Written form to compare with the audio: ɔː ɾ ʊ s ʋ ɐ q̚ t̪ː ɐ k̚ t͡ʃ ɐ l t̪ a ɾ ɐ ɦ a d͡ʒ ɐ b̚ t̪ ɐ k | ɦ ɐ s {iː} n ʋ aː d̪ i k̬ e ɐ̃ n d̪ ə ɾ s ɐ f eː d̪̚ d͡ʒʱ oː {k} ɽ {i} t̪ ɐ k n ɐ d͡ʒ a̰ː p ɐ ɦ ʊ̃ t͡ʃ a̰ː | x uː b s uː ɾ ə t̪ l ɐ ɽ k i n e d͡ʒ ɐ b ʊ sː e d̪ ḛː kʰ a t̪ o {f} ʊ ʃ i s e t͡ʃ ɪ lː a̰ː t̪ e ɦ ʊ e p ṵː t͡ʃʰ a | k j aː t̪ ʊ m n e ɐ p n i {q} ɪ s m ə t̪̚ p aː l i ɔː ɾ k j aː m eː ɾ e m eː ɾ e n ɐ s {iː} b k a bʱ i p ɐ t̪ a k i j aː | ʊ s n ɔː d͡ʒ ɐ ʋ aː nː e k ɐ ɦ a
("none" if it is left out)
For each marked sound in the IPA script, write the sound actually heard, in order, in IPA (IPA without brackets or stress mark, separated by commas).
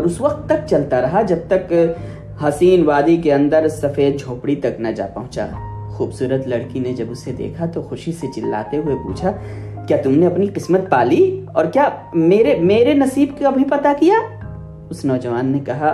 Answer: iː, p, i, x, q, iː